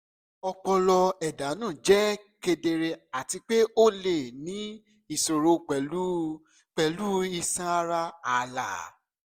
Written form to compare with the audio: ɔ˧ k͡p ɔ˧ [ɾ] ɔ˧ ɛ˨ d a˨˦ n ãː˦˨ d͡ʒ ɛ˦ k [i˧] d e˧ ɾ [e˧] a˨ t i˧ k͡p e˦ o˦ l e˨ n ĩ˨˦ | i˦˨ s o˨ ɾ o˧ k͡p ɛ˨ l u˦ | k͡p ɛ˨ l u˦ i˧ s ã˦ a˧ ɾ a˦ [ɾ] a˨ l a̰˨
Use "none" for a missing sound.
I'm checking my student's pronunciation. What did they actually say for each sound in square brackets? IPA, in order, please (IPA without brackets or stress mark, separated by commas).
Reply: l, e˧, e˧, none